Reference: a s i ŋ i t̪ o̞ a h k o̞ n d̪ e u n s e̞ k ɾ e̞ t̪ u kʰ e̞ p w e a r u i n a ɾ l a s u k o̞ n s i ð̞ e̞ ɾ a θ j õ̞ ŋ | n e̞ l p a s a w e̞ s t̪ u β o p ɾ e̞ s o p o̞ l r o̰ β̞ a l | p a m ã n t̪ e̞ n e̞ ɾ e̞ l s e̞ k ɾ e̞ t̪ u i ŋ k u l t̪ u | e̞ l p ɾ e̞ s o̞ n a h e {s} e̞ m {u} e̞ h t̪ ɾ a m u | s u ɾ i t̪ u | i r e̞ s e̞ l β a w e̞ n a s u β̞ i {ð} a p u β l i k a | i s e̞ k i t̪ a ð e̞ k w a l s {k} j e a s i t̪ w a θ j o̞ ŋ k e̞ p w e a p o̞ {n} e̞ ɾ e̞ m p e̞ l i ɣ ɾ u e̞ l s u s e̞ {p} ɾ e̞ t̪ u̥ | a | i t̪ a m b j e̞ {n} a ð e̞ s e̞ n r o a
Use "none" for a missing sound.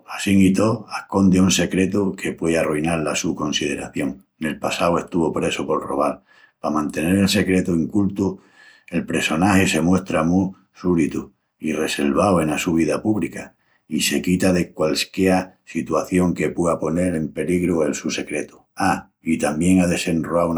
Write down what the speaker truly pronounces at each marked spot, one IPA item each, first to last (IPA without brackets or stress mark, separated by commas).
s, w, ð, k, n, k, ŋ